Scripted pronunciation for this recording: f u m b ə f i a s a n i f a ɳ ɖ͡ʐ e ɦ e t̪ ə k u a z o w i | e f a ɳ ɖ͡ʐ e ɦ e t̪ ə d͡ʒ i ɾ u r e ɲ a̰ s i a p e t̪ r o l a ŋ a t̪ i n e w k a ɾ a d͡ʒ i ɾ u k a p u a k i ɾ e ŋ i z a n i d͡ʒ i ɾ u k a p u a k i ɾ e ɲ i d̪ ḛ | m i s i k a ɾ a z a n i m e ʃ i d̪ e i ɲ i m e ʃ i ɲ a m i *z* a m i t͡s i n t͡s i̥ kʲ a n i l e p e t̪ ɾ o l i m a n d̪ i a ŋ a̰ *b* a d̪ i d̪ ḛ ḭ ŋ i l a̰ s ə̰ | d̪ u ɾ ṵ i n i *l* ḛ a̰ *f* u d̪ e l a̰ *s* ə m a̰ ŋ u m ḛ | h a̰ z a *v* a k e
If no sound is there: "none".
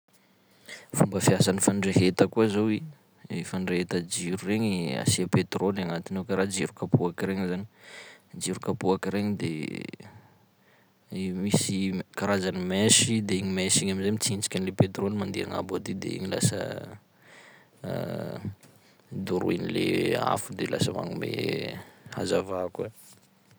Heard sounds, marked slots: z, b, l, f, s, v

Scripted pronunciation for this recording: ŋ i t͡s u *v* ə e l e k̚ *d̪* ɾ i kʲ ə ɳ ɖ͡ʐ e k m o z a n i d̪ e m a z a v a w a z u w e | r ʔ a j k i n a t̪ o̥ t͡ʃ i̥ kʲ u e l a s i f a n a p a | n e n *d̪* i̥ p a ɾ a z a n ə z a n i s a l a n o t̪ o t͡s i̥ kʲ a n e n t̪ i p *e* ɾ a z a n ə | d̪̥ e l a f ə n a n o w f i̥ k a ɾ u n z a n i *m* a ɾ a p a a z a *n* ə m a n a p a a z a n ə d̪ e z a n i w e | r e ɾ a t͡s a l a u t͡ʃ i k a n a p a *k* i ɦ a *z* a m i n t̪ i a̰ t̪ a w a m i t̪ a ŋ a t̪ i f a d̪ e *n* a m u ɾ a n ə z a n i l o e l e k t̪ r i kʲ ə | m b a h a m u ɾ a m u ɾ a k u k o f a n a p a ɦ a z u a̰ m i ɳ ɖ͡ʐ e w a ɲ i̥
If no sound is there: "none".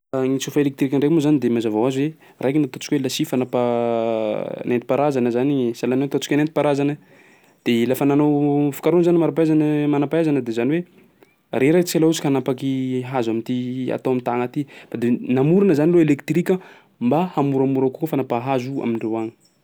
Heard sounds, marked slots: f, t̪, t̪, a, m, n, k, z, n

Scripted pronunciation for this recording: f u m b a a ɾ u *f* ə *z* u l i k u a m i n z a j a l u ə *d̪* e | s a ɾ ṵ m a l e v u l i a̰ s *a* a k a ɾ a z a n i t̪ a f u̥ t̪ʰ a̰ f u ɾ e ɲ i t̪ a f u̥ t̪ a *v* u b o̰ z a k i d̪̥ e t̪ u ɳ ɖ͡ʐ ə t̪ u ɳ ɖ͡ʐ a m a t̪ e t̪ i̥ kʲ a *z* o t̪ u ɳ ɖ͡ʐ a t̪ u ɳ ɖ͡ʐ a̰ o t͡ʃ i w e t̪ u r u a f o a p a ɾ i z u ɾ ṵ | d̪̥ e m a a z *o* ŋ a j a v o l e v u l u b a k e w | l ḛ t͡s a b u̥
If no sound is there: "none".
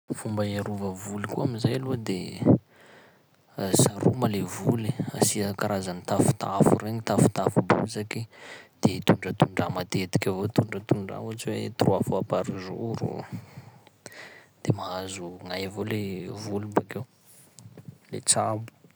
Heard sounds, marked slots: v, v, d̪, i, f, v, u

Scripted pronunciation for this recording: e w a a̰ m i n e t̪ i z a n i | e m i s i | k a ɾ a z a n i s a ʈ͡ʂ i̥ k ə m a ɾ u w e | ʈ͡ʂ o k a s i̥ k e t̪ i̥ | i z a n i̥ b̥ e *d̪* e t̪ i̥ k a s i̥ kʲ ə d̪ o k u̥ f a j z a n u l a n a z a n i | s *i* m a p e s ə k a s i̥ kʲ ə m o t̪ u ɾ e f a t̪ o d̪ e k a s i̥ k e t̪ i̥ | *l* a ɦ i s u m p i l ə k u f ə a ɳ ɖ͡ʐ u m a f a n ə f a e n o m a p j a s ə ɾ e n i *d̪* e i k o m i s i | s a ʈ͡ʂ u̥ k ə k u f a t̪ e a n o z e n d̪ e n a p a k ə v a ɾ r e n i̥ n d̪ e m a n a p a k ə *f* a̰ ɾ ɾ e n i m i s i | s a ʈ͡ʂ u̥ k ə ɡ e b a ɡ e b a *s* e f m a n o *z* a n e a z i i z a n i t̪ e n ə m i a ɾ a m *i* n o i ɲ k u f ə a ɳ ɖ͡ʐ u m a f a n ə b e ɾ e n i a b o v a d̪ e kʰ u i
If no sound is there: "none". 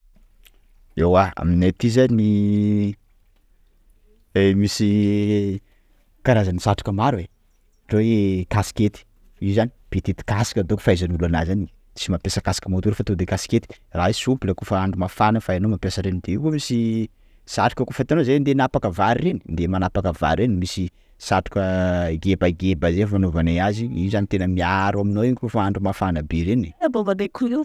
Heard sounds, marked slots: t̪, i, r, d̪, v, z, v, i

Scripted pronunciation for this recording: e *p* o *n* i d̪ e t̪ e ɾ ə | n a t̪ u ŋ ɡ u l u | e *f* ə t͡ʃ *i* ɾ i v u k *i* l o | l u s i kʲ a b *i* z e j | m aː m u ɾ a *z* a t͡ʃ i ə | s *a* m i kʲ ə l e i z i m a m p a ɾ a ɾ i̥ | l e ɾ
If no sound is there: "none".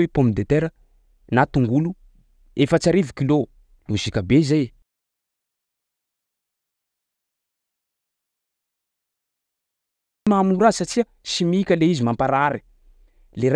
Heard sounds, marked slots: p, m, f, a, i, e, s, i

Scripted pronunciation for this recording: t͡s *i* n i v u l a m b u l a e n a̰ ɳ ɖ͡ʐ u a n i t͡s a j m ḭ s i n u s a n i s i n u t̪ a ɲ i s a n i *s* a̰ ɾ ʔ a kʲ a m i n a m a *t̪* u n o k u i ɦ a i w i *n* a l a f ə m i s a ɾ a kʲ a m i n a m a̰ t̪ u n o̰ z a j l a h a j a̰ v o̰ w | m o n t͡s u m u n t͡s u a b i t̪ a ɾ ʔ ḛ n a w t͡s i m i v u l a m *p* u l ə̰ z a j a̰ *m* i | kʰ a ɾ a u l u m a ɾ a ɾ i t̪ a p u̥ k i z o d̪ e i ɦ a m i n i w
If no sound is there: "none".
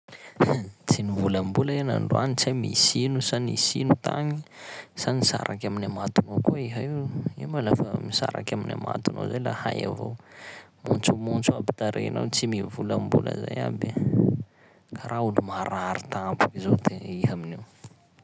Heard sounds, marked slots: i, s, t̪, m, b, b

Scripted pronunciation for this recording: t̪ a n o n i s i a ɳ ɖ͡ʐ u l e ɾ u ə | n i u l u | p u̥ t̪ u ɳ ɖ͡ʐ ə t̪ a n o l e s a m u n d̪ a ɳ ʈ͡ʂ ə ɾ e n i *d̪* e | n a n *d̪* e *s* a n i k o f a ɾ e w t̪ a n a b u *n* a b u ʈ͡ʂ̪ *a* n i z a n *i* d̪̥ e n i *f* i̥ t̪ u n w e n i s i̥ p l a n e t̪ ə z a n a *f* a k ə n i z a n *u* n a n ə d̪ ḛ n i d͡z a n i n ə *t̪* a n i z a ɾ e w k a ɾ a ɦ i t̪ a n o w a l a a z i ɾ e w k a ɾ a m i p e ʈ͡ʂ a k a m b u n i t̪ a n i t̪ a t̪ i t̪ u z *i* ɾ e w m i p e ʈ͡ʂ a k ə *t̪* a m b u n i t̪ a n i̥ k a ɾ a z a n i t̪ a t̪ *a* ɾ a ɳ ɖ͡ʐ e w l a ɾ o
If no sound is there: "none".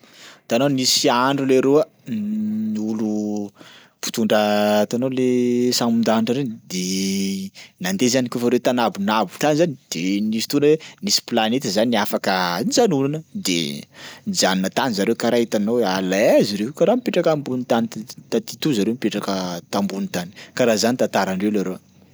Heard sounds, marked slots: d̪, d̪, z, n, a, i, s, f, u, t̪, a, t̪, a

